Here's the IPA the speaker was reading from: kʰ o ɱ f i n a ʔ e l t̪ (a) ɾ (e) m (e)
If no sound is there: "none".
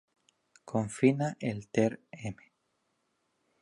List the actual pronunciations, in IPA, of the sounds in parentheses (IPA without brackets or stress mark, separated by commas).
e, e, e